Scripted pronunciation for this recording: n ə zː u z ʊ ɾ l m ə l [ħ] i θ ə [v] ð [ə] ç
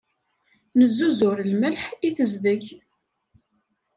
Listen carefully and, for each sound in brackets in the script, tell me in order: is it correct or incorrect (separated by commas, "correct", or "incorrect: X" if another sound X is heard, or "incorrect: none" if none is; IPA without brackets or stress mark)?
correct, incorrect: z, correct